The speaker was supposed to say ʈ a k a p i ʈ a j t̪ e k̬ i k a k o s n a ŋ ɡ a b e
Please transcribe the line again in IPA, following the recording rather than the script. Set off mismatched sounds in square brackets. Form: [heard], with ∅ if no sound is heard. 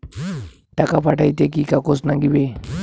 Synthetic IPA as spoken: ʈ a k a p [a] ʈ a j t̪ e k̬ i k a k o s n a ŋ ɡ [i] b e